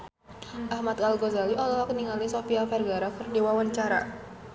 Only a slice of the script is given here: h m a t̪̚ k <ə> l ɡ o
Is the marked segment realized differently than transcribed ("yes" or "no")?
yes